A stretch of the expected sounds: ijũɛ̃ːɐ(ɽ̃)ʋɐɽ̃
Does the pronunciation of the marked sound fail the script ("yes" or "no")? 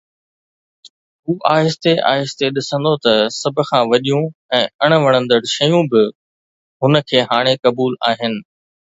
no